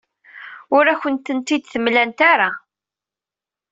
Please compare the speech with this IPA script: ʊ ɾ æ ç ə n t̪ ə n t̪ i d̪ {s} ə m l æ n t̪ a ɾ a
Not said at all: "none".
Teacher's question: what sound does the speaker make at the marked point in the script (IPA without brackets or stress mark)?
θ